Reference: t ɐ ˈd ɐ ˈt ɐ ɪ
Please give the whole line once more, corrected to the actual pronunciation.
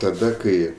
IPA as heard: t ɐ ˈd ɐ ˈk ɐ ɪ